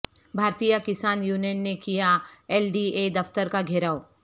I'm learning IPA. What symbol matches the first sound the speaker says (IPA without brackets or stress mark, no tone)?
bʱ